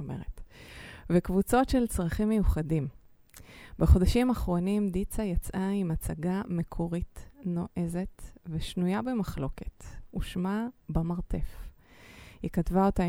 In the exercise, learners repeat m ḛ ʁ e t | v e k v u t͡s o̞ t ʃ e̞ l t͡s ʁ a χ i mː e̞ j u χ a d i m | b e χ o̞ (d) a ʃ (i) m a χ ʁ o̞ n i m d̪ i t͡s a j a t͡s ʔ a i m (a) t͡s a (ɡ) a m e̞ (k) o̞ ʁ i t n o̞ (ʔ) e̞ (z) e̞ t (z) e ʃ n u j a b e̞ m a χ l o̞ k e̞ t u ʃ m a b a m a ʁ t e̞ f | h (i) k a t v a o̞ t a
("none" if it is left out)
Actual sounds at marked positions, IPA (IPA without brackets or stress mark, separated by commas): d, i, a, ɡ, kʰ, ʔ, z, v, i